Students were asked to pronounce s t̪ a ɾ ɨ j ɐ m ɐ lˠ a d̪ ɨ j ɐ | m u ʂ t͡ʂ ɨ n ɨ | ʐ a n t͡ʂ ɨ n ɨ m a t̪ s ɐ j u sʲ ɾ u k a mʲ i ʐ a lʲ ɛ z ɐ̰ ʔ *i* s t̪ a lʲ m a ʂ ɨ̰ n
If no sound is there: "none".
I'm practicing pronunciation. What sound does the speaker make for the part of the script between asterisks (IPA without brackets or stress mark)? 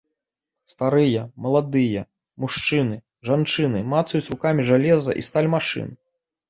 i